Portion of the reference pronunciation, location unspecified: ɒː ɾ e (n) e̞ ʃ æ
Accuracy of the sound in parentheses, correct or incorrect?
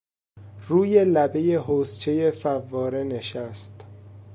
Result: correct